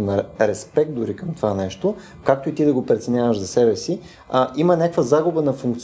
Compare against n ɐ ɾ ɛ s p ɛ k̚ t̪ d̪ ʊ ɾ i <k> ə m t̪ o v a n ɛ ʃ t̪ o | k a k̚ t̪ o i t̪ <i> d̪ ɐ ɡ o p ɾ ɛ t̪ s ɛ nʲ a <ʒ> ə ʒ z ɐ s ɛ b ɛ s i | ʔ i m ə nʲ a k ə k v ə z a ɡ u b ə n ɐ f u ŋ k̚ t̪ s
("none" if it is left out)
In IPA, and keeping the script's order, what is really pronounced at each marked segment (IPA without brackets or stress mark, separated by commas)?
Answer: k, i, v